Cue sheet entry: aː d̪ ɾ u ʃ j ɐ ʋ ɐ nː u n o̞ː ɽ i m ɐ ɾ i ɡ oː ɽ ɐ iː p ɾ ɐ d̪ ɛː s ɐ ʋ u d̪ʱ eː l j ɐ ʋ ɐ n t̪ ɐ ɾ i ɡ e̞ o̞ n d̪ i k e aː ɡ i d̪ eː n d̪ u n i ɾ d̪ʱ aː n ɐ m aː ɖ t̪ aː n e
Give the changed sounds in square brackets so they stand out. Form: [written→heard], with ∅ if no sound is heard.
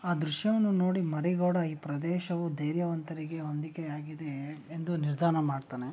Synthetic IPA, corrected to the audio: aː d̪ ɾ u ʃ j ɐ ʋ ɐ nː u n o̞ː ɽ i m ɐ ɾ i ɡ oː ɽ ɐ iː p ɾ ɐ d̪ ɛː [s→ʃ] ɐ ʋ u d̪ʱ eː [l→ɾ] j ɐ ʋ ɐ n t̪ ɐ ɾ i ɡ e̞ o̞ n d̪ i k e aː ɡ i d̪ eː n d̪ u n i ɾ d̪ʱ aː n ɐ m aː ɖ t̪ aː n e